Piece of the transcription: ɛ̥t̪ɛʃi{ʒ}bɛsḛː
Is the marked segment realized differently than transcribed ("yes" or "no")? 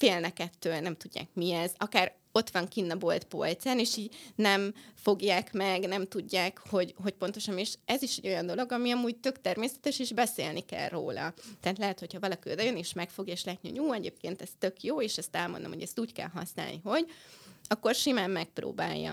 no